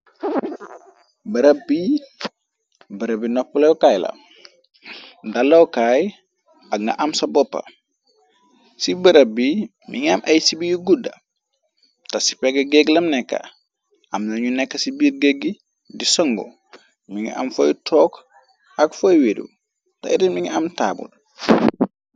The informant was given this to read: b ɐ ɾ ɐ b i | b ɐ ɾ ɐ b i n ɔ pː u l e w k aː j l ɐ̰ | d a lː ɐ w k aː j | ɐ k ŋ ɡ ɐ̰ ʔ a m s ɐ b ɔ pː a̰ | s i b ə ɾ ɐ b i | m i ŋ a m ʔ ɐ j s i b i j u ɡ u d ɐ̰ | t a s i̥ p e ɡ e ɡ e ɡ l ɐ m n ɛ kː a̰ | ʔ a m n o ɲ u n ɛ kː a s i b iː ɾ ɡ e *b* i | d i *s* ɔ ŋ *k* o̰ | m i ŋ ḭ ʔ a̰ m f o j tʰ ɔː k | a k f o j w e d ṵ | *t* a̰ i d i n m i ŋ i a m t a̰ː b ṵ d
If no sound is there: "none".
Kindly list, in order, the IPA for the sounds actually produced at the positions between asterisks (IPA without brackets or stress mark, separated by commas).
ɡ, s, ɡ, t